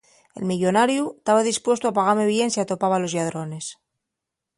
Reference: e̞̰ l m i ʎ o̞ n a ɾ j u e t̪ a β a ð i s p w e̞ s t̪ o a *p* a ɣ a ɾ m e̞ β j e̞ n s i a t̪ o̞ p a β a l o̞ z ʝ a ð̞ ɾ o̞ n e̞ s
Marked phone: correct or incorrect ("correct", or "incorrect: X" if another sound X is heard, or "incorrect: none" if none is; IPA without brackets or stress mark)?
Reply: correct